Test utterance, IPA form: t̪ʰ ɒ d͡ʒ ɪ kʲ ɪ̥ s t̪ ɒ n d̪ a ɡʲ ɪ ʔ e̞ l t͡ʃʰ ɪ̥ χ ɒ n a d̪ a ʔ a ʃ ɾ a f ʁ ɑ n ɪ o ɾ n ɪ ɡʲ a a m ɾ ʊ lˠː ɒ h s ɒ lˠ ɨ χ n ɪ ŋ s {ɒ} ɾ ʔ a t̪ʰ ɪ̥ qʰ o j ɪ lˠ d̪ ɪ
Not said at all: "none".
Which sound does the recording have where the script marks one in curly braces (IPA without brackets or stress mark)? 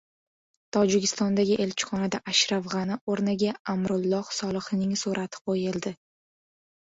u